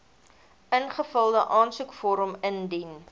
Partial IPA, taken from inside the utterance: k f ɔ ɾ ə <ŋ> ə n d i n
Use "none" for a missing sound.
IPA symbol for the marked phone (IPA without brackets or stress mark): m